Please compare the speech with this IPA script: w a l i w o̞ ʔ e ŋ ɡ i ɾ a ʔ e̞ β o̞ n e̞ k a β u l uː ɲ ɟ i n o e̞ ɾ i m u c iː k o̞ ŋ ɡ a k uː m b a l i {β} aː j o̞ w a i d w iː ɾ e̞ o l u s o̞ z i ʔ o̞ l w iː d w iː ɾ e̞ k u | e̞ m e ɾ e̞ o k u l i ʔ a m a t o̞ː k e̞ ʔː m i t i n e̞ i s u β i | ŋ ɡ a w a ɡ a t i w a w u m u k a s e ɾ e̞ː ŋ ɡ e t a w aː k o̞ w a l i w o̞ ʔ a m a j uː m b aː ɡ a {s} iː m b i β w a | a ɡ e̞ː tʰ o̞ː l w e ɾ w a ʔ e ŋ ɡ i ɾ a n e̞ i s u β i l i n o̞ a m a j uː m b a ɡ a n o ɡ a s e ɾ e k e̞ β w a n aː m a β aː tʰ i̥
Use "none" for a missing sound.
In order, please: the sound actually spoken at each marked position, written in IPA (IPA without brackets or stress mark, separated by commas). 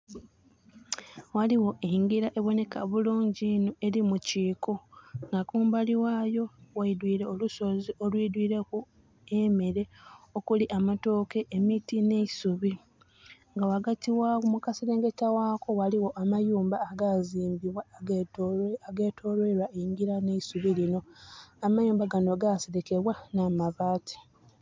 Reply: w, z